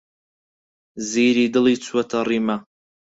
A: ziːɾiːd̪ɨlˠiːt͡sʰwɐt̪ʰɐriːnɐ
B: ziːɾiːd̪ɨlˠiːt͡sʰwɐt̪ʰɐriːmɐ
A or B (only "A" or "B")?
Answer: B